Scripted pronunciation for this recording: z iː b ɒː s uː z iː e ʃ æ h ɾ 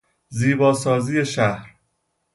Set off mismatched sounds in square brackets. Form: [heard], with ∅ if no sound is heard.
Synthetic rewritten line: z iː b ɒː s [ɒː] z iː e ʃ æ h ɾ